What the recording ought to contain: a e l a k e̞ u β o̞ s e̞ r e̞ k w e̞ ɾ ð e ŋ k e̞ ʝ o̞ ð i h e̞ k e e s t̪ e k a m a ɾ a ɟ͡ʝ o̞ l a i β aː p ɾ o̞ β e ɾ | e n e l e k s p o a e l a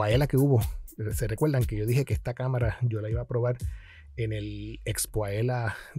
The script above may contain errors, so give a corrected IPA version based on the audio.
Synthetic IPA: a e l a k e̞ u β o̞ s e̞ r e̞ k w e̞ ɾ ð a ŋ k e̞ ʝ o̞ ð i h e̞ k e e s t̪ a k a m a ɾ a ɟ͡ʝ o̞ l a i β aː p ɾ o̞ β a ɾ | e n e l e k s p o a e l a

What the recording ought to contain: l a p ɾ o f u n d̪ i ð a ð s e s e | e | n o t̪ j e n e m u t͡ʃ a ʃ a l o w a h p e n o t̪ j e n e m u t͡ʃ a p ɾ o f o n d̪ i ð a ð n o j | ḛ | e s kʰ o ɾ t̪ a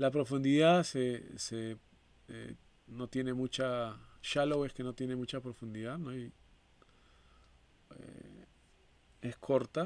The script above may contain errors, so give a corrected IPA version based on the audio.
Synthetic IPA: l a p ɾ o f u n d̪ i ð a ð s e s e | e | n o t̪ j e n e m u t͡ʃ a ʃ a l o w e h k e n o t̪ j e n e m u t͡ʃ a p ɾ o f u n d̪ i ð a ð n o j | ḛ | e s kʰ o ɾ t̪ a

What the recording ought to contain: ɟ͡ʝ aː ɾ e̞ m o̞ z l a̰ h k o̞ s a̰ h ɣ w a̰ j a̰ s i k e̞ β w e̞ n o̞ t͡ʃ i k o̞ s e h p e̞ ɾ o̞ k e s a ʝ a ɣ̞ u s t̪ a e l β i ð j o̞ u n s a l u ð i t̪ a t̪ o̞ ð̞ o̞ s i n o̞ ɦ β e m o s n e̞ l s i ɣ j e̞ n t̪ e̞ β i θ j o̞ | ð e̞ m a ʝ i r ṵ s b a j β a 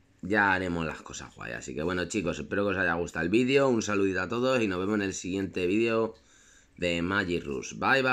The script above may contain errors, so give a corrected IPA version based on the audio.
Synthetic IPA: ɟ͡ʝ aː ɾ e̞ m o̞ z l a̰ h k o̞ s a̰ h ɣ w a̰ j a̰ s i k e̞ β w e̞ n o̞ t͡ʃ i k o̞ s e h p e̞ ɾ o̞ k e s a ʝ a ɣ̞ u s t̪ a e l β i ð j o̞ u n s a l u ð i t̪ a t̪ o̞ ð̞ o̞ s i n o̞ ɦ β e m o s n e̞ l s i ɣ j e̞ n t̪ e̞ β i ð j o̞ | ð e̞ m a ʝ i r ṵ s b a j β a

